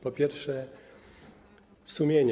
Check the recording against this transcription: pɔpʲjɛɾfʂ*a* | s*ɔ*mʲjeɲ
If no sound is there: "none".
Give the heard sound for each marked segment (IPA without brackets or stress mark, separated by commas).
ɛ, u